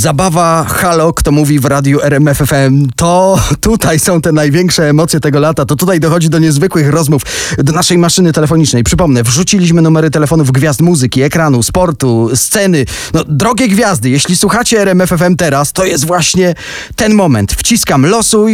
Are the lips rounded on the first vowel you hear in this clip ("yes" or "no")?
no